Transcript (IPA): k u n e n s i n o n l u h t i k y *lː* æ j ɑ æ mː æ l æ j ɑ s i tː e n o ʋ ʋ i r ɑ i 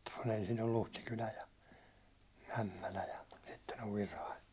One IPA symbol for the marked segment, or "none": l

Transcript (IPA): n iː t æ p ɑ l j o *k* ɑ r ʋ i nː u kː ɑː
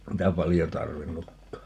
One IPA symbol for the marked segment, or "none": t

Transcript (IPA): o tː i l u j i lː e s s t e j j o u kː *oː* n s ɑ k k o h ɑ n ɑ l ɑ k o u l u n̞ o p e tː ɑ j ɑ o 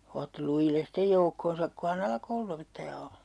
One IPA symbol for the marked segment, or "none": o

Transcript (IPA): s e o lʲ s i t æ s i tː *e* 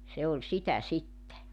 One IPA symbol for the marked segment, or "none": e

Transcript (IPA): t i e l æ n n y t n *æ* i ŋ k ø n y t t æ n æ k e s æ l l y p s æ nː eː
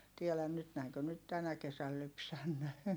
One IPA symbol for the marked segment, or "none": æ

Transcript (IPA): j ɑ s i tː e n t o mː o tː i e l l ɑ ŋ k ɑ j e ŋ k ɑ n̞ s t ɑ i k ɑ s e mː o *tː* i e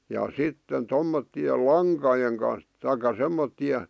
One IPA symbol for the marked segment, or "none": tː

